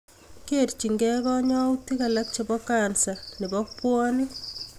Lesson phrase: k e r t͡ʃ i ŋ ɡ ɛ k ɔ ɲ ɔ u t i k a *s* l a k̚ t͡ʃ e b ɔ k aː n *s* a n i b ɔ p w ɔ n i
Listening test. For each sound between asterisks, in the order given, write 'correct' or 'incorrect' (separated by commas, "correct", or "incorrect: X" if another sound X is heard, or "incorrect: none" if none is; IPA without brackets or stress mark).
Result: incorrect: none, correct